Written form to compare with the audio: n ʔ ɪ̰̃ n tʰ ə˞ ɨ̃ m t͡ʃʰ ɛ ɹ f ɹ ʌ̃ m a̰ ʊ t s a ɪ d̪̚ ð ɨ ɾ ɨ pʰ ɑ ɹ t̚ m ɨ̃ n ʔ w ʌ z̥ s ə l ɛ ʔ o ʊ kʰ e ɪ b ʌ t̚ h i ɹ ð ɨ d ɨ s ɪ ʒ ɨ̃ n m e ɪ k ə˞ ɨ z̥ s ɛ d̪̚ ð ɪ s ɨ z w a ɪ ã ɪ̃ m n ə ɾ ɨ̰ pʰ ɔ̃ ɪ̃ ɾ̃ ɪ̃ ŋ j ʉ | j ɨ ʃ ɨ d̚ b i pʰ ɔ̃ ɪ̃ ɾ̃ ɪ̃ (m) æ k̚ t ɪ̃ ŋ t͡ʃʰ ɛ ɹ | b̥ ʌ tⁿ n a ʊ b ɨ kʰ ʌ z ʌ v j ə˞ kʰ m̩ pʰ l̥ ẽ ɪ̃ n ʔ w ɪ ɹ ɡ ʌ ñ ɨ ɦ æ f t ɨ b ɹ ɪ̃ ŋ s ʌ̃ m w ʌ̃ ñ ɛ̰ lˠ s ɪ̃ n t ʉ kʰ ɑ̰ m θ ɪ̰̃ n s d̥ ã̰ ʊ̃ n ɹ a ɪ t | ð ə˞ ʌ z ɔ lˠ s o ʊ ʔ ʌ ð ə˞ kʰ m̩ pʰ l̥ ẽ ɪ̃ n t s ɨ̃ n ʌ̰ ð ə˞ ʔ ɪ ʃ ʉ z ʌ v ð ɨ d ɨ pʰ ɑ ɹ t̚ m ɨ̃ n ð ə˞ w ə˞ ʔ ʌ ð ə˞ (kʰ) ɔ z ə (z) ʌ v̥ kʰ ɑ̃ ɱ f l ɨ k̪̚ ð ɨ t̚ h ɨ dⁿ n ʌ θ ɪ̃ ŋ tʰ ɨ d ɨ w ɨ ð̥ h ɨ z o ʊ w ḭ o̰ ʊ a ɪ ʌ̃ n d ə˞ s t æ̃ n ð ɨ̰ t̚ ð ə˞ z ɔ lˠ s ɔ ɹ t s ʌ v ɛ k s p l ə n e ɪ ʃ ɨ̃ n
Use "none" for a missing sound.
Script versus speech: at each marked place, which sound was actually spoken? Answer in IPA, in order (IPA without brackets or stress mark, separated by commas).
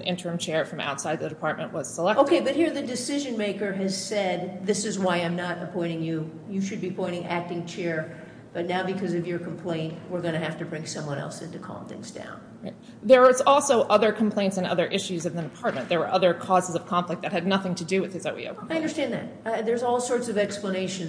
ŋ, kʰ, z